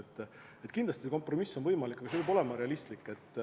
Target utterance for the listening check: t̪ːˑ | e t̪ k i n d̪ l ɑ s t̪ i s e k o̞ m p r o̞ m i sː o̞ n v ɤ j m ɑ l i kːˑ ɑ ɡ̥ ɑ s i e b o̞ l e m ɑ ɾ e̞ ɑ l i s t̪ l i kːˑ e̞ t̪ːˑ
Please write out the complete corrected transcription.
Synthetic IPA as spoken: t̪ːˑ | e t̪ k i n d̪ l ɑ s t̪ i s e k o̞ m p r o̞ m i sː o̞ n v ɤ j m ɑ l i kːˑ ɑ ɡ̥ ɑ s e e b o̞ l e m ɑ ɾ e̞ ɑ l i s t̪ l i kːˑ e̞ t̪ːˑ

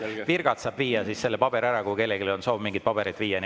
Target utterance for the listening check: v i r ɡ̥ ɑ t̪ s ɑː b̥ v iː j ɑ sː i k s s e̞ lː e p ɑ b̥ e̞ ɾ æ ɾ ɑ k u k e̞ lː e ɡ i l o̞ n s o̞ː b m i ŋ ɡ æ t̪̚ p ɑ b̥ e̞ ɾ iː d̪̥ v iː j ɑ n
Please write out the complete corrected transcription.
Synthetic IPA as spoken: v i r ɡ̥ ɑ t̪ s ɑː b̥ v iː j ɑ s i s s e̞ lː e p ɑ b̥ e̞ ɾ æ ɾ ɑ k u k e̞ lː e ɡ i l o̞ n s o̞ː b m i ŋ ɡ i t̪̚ p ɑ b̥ e̞ ɾ i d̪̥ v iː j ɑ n

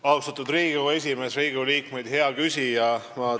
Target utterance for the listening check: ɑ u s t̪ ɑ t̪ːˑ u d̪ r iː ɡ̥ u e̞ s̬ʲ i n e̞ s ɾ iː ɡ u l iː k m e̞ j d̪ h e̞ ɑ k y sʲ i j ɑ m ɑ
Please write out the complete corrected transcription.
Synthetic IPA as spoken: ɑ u s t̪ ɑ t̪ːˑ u d̪ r iː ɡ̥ u e̞ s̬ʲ i m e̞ s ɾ iː ɡ u l iː k m e̞ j d̪ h e̞ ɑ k y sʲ i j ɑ m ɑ

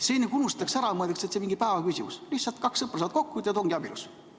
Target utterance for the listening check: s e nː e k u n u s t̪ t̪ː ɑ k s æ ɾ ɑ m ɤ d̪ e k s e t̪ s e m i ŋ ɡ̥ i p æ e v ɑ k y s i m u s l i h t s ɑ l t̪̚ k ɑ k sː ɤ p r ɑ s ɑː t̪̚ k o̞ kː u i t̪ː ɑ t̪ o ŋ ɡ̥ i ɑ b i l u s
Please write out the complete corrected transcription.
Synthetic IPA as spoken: s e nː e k u n u s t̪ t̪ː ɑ k s æ ɾ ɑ m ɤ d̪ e k s e t̪ s e m i ŋ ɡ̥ i p æ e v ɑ k y s i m u s l i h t s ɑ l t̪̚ k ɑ k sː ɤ p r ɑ s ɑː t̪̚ k o̞ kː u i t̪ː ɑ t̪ o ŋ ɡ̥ i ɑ b i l u s

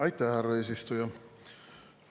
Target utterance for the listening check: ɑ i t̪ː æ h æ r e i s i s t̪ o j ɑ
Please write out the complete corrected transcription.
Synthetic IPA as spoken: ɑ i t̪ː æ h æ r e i s i s t̪ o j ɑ

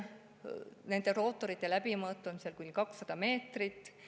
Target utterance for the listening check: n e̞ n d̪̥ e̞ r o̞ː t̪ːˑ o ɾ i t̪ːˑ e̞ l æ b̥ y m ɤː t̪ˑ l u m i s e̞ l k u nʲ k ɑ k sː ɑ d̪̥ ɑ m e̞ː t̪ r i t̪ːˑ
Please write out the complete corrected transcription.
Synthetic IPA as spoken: n e̞ n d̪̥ e̞ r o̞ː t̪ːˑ o ɾ i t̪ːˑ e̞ l æ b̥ i m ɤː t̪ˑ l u m i s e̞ l k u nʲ k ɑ k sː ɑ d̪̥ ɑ m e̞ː t̪ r i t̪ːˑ

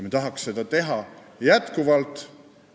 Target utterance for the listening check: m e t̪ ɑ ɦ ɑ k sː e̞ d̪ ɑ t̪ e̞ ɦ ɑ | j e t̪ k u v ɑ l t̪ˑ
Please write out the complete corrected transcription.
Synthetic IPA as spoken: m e t̪ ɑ ɦ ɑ k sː e̞ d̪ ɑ t̪ e̞ ɦ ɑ | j æ t̪ k u v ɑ l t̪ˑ

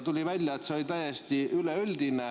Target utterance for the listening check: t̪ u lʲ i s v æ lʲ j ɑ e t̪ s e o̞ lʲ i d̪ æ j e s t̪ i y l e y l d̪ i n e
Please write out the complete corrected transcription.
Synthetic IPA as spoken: t̪ u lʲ i v æ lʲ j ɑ e t̪ s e o̞ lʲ i t̪ æ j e s t̪ i y l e y l d̪ i n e

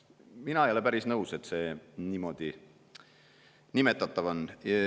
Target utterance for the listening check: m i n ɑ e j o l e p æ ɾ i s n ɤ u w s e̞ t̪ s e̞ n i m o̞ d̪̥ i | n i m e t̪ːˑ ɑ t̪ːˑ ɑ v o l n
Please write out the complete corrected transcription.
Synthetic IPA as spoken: m i n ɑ e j o l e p æ ɾ i s n ɤ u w s e̞ t̪ s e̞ n i m o̞ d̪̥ i | n i m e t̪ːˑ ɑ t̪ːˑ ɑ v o n

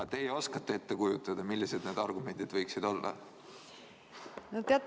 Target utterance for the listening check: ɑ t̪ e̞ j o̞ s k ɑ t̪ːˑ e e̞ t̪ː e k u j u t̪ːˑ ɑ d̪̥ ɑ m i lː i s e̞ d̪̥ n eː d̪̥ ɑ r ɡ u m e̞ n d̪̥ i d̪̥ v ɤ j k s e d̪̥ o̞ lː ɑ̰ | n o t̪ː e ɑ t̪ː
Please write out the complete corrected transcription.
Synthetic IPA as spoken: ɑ t̪ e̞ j o̞ s k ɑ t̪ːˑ e e̞ t̪ː e k u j u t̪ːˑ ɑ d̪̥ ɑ m i lː i s e̞ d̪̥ n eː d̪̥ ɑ r ɡ u m e̞ n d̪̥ i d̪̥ v ɤ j k s i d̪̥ o̞ lː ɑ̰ | n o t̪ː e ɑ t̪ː

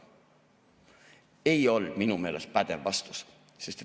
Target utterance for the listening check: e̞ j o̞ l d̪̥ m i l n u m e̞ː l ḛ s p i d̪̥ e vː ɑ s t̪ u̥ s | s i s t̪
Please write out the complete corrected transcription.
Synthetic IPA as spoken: e̞ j o̞ l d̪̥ m i n u m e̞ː l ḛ s p æ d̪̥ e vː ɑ s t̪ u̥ s | s e s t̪

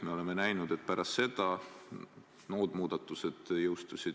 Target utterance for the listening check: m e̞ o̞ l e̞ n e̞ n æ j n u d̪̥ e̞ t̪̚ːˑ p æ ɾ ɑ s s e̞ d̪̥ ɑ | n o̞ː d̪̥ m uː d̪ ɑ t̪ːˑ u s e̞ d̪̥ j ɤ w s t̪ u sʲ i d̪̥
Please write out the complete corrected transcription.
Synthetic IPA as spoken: m e̞ o̞ l e̞ m e̞ n æ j n u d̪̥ e̞ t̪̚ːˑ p æ ɾ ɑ s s e̞ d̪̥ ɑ | n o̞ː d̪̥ m uː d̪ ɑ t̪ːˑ u s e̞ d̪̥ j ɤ w s t̪ u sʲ i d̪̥

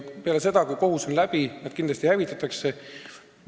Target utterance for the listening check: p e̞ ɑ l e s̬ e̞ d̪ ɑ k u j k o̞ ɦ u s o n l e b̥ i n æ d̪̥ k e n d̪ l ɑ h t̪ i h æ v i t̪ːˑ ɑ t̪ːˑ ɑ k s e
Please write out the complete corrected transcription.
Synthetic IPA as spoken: p e̞ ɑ l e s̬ e̞ d̪ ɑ k u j k o̞ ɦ u s o n l æ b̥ i n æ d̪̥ k i n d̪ l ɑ s t̪ i h æ v i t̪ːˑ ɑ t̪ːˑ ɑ k s e

